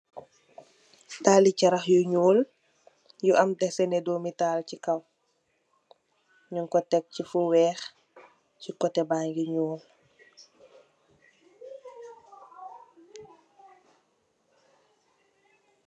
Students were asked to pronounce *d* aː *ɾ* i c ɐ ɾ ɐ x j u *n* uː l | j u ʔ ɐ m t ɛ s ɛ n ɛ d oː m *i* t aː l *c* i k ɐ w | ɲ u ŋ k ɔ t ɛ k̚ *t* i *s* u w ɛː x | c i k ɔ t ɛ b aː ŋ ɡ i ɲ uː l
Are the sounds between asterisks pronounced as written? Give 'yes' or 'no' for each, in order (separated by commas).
no, no, no, yes, yes, no, no